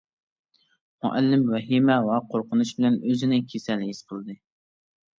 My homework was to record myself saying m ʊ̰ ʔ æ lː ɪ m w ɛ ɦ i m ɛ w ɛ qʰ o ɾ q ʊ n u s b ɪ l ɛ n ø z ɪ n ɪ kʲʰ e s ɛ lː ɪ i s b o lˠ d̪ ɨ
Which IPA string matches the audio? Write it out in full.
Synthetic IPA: m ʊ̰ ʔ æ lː ɪ m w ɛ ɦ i m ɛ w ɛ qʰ o ɾ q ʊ n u ʃ b ɪ l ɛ n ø z ɪ n ɪ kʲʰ e s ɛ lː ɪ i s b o lˠ d̪ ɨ